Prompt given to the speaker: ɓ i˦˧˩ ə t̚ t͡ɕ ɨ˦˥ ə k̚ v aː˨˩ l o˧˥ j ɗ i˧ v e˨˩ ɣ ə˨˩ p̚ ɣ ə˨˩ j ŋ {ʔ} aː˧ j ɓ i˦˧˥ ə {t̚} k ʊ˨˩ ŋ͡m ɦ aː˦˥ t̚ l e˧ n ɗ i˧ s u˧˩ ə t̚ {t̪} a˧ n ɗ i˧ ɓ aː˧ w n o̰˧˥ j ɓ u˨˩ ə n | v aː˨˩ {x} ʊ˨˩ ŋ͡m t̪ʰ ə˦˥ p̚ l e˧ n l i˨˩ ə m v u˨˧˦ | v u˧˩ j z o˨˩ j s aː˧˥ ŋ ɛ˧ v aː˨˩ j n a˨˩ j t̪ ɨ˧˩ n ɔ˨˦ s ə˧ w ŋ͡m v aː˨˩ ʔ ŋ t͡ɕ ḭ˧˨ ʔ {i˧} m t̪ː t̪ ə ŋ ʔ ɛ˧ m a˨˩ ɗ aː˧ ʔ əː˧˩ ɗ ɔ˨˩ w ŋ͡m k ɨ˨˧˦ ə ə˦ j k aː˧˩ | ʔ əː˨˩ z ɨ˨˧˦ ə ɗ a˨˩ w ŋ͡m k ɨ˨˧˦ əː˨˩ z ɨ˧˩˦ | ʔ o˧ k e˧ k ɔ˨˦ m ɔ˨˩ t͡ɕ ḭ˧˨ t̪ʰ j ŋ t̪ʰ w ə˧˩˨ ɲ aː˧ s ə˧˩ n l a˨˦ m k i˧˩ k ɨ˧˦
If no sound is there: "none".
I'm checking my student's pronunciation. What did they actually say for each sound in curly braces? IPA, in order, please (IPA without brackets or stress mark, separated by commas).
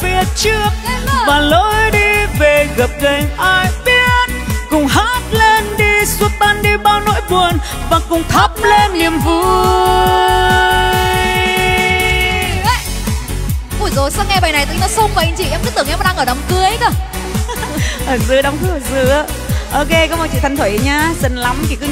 ʔ, t̚, t̪, k, ɛ˧